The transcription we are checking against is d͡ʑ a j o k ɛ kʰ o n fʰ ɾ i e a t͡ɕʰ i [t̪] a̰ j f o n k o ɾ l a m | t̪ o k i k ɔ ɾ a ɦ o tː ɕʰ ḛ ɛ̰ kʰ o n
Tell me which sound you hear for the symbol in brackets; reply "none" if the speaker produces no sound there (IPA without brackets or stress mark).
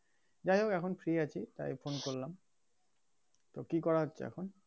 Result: t̪